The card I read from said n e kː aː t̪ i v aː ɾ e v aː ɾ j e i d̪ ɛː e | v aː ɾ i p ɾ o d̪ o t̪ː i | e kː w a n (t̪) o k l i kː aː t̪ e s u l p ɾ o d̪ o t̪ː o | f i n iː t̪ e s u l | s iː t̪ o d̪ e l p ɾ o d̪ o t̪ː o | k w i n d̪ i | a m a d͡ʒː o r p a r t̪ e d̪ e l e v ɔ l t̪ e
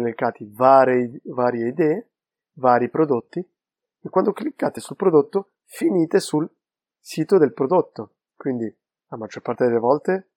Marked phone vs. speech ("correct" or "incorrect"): incorrect